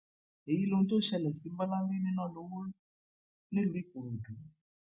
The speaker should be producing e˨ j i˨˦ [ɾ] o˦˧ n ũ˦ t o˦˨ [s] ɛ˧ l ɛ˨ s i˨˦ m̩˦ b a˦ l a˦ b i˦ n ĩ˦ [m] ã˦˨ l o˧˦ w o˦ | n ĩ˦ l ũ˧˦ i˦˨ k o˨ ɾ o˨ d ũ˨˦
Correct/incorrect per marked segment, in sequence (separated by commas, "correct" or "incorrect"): incorrect, incorrect, incorrect